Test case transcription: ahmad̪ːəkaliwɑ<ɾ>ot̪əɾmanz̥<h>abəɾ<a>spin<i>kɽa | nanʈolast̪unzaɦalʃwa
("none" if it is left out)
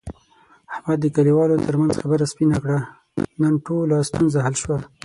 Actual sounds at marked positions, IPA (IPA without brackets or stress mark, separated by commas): l, x, a, a